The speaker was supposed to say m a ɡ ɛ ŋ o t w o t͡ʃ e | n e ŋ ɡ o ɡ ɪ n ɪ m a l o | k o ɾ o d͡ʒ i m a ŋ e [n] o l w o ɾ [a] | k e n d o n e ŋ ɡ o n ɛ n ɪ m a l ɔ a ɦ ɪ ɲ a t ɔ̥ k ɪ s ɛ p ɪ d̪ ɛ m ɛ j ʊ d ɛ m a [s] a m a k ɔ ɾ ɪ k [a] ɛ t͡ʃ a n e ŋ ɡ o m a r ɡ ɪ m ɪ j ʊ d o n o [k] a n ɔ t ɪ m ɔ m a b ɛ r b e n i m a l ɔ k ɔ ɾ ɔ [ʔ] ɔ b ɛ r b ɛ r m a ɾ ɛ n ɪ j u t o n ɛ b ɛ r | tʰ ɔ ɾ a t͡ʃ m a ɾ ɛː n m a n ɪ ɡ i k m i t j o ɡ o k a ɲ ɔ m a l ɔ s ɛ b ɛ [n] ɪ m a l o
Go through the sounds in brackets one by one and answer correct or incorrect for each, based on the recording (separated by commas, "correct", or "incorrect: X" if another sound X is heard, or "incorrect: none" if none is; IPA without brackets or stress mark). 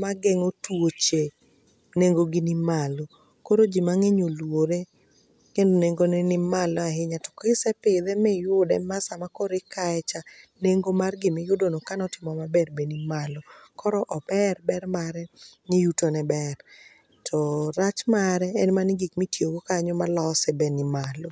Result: incorrect: ɲ, incorrect: e, correct, correct, correct, correct, correct